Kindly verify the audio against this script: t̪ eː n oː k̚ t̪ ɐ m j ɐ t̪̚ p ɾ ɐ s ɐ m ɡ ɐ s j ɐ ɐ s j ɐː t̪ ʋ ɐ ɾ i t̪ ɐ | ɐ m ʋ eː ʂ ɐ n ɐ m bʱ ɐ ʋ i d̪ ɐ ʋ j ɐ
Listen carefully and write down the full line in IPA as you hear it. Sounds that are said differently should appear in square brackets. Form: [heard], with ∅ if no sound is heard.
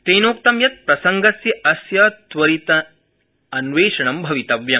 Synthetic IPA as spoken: t̪ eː n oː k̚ t̪ ɐ m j ɐ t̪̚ p ɾ ɐ s ɐ [ŋ] ɡ ɐ s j ɐ ɐ s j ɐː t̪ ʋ ɐ ɾ i t̪ ɐ | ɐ [n] ʋ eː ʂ ɐ [ɳ] ɐ m bʱ ɐ ʋ i [t̪] ɐ ʋ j ɐ